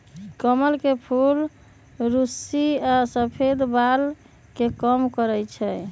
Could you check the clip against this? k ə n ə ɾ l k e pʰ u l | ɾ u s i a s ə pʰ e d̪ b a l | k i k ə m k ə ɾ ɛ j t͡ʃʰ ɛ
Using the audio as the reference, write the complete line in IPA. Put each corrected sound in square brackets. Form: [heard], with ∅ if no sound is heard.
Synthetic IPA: k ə [m] ə [∅] l k e pʰ u l | ɾ u s i a s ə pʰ e d̪ b a l | k [e] k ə m k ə ɾ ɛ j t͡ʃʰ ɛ